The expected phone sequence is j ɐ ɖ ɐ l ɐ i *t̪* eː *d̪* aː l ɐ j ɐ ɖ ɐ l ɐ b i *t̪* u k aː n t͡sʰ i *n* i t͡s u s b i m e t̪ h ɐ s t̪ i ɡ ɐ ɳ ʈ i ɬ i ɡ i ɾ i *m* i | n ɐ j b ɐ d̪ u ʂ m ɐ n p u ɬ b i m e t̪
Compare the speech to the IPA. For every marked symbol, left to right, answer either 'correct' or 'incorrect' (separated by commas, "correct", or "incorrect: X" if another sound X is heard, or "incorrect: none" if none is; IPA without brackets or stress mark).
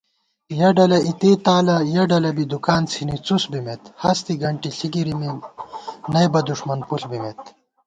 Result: correct, incorrect: t̪, incorrect: d̪, correct, correct